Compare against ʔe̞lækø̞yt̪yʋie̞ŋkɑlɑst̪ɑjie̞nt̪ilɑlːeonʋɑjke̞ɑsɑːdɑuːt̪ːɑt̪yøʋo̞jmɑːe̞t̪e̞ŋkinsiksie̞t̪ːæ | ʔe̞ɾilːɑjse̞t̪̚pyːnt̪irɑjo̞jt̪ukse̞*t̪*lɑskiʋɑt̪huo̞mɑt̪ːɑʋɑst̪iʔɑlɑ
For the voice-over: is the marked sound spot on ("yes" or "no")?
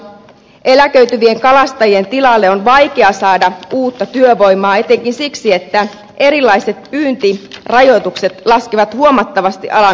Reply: yes